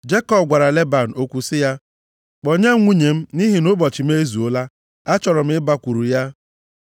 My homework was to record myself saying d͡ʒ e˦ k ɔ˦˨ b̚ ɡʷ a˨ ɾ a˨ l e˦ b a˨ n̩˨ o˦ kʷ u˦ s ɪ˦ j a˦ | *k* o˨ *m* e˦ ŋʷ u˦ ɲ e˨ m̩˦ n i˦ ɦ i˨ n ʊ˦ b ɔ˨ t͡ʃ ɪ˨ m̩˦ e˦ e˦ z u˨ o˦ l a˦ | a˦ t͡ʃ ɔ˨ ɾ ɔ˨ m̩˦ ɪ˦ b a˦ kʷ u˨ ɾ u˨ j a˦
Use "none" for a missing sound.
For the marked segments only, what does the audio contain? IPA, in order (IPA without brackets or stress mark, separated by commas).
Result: k͡p, ɲ